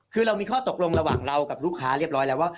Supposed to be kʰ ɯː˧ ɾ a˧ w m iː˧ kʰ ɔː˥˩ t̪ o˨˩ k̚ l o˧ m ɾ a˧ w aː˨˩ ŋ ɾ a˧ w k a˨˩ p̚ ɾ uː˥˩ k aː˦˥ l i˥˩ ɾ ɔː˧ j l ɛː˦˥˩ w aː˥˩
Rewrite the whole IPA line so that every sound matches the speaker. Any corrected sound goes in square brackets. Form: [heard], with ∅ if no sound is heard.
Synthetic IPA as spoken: kʰ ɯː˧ ɾ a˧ w m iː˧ kʰ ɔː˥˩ t̪ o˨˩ k̚ l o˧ [ŋ] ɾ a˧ w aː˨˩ ŋ ɾ a˧ w k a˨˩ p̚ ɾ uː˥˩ [kʰ] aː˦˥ [ɾ] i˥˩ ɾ [ɔː˦˥] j l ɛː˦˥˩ w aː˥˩

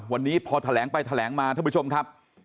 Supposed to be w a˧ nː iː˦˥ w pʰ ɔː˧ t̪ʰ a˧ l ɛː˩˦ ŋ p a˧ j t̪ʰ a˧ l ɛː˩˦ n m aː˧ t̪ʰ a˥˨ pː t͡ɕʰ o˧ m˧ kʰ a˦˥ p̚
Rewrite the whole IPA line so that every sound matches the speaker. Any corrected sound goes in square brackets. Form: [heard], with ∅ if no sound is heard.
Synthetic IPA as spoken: w a˧ nː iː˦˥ [∅] pʰ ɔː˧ t̪ʰ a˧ l ɛː˩˦ ŋ p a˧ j t̪ʰ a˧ l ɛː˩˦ [ŋ] m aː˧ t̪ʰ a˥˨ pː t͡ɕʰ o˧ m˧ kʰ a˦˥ p̚

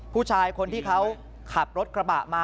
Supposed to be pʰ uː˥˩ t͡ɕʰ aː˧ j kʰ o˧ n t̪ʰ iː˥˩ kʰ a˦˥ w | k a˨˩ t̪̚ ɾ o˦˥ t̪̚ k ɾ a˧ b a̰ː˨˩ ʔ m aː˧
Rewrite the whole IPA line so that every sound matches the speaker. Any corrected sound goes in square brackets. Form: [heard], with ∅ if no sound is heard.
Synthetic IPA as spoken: pʰ uː˥˩ t͡ɕʰ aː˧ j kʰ o˧ n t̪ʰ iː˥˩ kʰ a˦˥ w | [kʰ] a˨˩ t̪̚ ɾ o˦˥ t̪̚ k ɾ a˧ b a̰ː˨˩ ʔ m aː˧

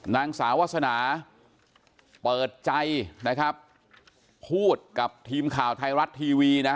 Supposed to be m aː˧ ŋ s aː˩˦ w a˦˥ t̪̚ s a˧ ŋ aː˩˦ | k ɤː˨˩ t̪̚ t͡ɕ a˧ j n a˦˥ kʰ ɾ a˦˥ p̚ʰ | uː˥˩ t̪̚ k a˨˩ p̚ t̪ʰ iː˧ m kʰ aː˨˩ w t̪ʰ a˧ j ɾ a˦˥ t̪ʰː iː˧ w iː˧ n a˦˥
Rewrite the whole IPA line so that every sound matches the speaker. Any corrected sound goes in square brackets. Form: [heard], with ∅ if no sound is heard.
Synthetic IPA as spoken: [n] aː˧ ŋ s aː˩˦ w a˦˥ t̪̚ s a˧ [n] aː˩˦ | [p] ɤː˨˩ t̪̚ t͡ɕ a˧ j n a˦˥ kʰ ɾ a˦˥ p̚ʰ | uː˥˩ t̪̚ k a˨˩ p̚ t̪ʰ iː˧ m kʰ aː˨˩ w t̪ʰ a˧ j ɾ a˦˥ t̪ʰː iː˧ w iː˧ n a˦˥

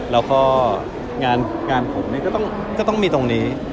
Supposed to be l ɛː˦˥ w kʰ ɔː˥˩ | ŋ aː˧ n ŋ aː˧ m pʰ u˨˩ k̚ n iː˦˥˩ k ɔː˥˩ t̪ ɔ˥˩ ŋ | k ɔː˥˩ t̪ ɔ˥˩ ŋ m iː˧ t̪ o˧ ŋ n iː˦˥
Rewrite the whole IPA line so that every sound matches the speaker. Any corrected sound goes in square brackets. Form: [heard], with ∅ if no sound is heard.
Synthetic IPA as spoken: l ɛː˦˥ w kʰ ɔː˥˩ | ŋ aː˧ n ŋ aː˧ [n] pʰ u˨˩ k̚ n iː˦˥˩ k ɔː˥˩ t̪ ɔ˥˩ ŋ | k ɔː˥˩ t̪ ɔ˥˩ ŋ m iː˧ t̪ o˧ ŋ n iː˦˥

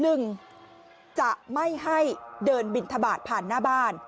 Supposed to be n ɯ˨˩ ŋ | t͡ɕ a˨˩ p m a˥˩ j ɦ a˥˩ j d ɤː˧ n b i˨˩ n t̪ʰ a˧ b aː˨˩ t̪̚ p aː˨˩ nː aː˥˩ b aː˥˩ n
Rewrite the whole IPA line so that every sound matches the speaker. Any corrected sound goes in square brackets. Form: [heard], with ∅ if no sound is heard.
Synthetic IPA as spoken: n ɯ˨˩ ŋ | t͡ɕ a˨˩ [ʔ] m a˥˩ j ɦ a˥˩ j d ɤː˧ n b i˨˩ n t̪ʰ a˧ b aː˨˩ t̪̚ [pʰ] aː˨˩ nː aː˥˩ b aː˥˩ n

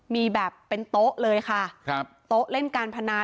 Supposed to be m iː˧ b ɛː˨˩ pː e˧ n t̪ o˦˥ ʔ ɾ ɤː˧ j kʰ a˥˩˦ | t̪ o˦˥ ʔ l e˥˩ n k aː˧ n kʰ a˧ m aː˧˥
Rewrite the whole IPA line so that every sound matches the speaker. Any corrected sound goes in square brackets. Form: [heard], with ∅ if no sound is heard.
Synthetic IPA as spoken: m iː˧ b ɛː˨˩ pː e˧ n t̪ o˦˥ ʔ [l] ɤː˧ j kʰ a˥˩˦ | t̪ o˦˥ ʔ l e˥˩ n k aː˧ n [pʰ] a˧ [n] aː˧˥

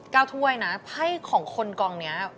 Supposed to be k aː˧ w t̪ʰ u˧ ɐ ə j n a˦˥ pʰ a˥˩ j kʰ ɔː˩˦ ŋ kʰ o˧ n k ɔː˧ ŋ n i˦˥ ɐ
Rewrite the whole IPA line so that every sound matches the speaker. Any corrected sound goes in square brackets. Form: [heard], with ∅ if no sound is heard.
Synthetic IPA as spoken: k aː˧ w t̪ʰ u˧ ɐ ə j n a˦˥ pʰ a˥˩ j kʰ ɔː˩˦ ŋ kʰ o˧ n k ɔː˧ ŋ n i˦˥ ɐ

